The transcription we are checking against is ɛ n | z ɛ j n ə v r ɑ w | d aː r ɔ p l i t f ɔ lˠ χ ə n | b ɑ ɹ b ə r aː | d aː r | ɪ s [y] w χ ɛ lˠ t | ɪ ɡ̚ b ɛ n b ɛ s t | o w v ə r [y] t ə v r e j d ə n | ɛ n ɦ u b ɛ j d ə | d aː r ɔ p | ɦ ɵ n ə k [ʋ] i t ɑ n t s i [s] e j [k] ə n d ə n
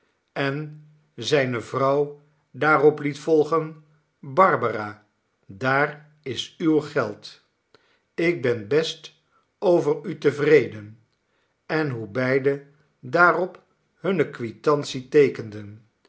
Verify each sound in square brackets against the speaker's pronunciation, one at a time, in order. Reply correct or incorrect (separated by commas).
correct, correct, correct, incorrect, correct